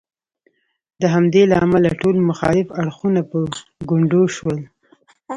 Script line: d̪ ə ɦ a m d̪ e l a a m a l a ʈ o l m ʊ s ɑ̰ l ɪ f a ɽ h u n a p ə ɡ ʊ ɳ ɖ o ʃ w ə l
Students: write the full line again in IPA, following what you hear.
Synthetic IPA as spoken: d̪ ə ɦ a m d̪ e l a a m a l a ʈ o l m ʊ x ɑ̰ l ɪ f a ɽ x u n a p ə ɡ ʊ ɳ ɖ o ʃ w ə l

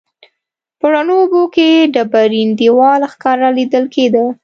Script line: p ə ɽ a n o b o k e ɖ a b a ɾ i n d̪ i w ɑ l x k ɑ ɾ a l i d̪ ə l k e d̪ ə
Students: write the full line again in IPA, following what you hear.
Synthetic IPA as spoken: p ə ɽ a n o b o k e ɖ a b a ɾ i n d̪ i w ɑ l x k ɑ ɾ a l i d̪ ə l k e d̪ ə

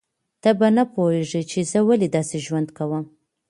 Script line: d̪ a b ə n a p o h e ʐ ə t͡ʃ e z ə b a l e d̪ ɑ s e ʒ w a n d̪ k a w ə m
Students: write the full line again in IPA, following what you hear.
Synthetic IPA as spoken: t̪ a b a n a p o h e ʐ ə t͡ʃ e z ə w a l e d̪ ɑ s e ʒ w a n d̪ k a w ə m

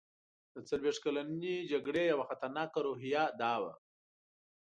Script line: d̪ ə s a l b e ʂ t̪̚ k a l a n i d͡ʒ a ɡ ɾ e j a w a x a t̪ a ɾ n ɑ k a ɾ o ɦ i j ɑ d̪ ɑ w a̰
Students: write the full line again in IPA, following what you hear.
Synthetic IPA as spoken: d̪ ə t͡s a l w e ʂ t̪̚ k a l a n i d͡ʒ a ɡ ɽ e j a w a x a t̪ a ɾ n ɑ k a ɾ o ɦ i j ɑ d̪ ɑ w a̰

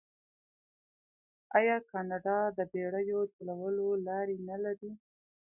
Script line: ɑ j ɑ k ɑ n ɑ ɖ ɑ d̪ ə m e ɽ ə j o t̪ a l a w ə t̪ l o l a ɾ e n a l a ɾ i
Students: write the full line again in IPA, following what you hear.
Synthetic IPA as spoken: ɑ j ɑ k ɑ n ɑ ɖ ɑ d̪ ə b e ɽ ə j o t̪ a l a w ə l o l ɑ ɾ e n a l a ɾ i

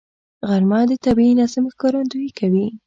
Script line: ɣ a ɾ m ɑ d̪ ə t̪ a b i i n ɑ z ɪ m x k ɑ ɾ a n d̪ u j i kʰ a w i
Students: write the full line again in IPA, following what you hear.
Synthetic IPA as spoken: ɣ a ɾ m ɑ d̪ ə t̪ a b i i n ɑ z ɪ m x k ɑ ɾ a n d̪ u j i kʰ a w i

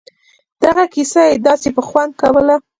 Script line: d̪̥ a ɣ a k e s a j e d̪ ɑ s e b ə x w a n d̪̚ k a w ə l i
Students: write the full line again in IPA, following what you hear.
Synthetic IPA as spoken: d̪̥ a ɣ a k i s a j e d̪ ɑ s e p ə x w a n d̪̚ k a w ə l a

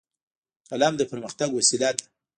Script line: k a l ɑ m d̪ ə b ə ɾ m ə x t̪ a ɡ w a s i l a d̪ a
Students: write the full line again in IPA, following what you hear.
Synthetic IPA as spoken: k a l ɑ m d̪ ə p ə ɾ m ə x t̪ a ɡ w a s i l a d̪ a

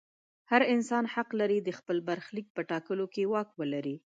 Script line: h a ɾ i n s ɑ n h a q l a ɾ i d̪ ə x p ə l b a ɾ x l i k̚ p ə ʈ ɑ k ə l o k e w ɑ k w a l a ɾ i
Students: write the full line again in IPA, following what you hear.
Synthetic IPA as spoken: h a ɾ ɪ n s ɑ n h a q l a ɾ i d̪ ə x p ə l b a ɾ x l i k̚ p ə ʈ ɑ k ə l o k e w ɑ k w ə l a ɾ i

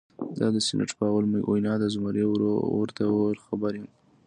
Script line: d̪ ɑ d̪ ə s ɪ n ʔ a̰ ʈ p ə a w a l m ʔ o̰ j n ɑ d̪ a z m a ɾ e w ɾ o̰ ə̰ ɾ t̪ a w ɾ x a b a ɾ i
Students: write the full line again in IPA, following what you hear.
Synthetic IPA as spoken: d̪ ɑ d̪ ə s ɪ n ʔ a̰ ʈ p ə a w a l m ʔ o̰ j n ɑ d̪ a z m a ɾ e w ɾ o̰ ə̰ ɾ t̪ a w ɾ x a b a ɾ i

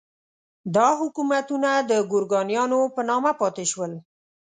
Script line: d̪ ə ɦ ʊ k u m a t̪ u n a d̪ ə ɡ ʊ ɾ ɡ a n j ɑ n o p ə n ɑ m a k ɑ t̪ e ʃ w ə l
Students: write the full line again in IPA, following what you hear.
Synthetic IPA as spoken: d̪ ɑ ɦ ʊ k u m a t̪ u n a d̪ ə ɡ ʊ ɾ ɡ ɑ n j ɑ n o p ə n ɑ m a p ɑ t̪ e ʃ w ə l

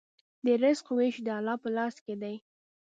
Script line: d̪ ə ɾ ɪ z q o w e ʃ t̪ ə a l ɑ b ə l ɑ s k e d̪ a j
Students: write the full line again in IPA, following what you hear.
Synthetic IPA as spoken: d̪ ə ɾ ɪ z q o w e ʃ d̪ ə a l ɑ p ə l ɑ s k e d̪ a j

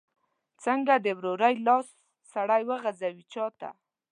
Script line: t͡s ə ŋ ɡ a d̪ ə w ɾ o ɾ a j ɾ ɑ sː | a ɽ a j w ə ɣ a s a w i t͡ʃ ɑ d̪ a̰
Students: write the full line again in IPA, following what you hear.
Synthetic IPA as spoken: t͡s ə ŋ ɡ a d̪ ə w ɾ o ɾ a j l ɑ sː | a ɽ a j w ə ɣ a z a w i t͡ʃ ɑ t̪ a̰

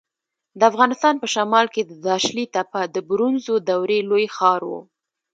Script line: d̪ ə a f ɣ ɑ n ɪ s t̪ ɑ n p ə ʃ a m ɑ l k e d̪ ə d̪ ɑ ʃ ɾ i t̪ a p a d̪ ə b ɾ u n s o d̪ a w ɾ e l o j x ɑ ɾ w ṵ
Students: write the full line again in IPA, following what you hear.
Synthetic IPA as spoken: d̪ ə a f ɣ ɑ n ɪ s t̪ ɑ n p ə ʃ a m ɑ l k e d̪ ə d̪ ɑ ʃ l i t̪ a p a d̪ ə b ɾ u n z o d̪ a w ɾ e l o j x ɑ ɾ w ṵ

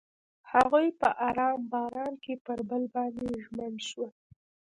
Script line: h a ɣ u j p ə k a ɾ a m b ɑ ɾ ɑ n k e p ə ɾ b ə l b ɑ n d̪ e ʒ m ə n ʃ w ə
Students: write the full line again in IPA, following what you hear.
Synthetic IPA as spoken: h a ɣ u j p ə ʔ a ɾ ɑ m b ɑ ɾ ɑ n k e p ə ɾ b ə l b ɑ n d̪ e ʒ m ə n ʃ w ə

